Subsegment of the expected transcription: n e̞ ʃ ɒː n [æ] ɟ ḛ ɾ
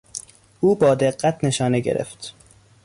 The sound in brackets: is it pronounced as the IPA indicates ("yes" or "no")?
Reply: no